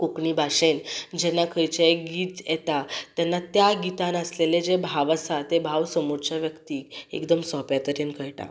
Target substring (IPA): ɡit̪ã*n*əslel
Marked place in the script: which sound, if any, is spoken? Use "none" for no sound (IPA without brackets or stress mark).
n